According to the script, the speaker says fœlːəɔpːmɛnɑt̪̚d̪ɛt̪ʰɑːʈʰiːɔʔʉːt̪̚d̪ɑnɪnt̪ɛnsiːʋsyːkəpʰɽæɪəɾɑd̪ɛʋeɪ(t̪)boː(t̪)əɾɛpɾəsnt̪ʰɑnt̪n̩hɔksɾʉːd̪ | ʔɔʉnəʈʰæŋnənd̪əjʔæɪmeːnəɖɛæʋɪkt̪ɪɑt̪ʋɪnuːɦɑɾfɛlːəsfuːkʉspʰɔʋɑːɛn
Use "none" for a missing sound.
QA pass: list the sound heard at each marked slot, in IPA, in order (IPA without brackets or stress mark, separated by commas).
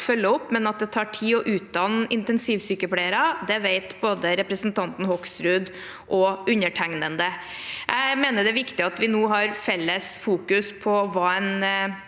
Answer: t̪, d̪